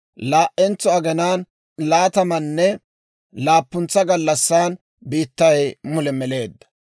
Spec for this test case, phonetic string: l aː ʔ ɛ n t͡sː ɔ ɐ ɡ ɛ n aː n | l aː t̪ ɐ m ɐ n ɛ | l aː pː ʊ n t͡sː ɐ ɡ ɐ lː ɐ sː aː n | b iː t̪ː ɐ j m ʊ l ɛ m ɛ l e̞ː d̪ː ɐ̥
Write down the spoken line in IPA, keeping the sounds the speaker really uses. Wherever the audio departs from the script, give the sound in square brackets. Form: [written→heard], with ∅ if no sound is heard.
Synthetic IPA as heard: l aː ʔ ɛ n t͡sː ɔ ɐ ɡ ɛ n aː n | l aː t̪ ɐ m ɐ [n→nː] ɛ | l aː pː ʊ n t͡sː ɐ ɡ ɐ lː ɐ sː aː n | b iː t̪ː ɐ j m ʊ l ɛ m ɛ l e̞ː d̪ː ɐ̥